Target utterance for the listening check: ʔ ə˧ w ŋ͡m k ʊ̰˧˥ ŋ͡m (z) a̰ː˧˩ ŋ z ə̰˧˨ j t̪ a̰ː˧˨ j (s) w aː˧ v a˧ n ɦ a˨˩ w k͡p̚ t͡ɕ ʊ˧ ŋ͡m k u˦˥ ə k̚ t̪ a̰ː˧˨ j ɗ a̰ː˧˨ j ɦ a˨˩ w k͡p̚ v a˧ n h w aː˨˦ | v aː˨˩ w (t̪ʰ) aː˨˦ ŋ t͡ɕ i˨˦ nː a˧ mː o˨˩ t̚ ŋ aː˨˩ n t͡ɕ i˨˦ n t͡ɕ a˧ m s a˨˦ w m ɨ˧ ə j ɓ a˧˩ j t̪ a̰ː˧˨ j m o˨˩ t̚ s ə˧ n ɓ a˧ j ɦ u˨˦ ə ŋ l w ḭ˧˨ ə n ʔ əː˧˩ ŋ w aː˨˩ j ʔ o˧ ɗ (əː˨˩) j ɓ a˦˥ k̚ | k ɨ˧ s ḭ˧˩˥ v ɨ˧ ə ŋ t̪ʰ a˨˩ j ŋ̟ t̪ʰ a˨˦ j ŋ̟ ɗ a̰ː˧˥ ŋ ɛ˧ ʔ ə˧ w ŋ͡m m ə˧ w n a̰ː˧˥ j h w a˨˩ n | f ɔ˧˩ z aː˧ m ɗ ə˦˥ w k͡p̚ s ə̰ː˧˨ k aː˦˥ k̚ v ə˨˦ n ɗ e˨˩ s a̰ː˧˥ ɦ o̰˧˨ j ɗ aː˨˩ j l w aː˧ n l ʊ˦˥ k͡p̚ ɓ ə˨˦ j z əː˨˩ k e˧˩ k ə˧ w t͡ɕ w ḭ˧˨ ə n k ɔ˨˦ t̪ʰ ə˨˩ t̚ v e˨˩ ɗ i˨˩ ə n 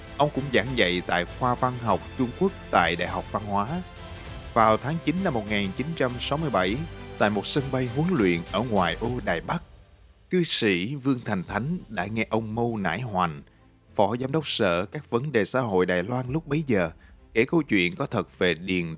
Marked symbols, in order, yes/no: yes, no, yes, no

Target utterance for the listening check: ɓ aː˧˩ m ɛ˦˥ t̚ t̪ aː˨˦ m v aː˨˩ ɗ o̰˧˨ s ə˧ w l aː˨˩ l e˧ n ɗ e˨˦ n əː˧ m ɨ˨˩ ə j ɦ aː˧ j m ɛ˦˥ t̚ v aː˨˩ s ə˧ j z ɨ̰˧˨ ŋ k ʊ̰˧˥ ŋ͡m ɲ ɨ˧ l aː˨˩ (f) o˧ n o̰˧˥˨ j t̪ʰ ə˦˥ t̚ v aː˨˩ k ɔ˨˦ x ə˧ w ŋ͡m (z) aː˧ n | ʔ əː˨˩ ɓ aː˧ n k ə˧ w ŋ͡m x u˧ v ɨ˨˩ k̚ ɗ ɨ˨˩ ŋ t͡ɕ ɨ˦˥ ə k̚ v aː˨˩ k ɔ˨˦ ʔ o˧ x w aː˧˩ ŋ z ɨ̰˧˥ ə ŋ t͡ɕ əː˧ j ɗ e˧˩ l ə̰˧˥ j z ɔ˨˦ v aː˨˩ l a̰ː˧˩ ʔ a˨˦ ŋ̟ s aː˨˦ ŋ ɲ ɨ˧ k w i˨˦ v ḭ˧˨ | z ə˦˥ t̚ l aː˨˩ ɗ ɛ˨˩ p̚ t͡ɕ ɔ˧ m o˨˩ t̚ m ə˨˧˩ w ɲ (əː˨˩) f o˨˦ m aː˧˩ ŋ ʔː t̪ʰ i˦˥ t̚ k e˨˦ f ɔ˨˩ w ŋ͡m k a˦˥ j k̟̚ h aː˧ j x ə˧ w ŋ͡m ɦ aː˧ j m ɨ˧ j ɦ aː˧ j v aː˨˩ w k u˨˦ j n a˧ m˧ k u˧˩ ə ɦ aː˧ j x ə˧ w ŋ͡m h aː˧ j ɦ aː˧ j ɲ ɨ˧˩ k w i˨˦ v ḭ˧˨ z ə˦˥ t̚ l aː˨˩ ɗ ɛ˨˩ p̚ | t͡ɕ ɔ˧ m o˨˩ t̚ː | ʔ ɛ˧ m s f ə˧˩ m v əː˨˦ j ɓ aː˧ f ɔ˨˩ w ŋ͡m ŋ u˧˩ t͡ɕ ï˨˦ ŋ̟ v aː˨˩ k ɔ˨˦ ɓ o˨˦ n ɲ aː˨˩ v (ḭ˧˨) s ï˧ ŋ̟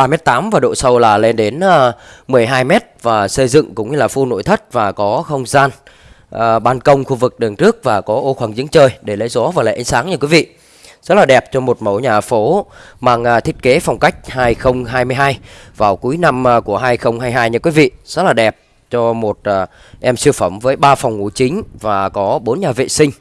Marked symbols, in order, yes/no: yes, yes, no, no

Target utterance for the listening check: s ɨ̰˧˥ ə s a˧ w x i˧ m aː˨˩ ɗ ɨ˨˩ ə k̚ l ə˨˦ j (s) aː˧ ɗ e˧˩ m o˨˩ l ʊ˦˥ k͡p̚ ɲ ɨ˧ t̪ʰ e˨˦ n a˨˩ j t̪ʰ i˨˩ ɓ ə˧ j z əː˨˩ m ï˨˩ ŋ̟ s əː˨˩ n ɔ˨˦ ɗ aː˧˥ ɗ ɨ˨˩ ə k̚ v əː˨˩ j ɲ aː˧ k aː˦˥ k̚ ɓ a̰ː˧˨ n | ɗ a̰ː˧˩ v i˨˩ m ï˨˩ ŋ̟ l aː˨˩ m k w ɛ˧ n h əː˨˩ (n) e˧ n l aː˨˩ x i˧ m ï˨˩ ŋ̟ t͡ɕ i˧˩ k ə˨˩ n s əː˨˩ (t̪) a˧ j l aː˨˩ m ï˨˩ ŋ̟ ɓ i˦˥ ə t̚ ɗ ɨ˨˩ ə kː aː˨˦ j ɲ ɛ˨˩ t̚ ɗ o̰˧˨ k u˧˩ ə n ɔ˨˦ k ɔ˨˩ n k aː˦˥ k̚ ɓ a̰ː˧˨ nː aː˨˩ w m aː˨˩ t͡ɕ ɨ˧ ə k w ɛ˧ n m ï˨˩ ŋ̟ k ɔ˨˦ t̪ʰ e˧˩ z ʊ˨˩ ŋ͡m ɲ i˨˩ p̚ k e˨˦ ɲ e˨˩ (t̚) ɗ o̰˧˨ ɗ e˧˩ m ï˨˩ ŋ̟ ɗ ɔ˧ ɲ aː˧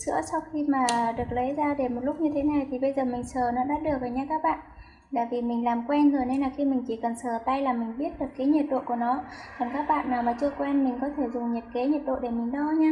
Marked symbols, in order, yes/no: no, yes, yes, yes

